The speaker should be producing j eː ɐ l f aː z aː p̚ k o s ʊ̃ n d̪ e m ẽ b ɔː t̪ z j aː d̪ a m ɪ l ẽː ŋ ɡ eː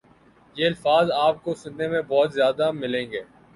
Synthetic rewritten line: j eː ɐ l f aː z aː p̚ k o s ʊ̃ n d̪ e m ẽ b ɔː t̪ z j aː d̪ a m ɪ l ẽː ŋ ɡ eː